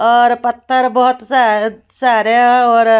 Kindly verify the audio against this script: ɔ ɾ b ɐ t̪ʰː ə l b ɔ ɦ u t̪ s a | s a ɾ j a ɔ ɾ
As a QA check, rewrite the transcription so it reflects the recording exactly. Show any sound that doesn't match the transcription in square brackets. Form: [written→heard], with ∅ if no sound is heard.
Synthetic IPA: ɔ ɾ [b→p] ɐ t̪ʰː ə [l→ɾ] b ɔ ɦ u t̪ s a | s a ɾ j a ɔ ɾ